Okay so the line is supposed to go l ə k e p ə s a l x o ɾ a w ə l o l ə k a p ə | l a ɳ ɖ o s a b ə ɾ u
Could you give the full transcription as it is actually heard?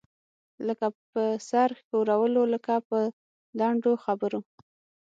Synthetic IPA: l ə k a p ə s a ɾ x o ɾ a w ə l o l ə k a p ə | l a ɳ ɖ o x a b ə ɾ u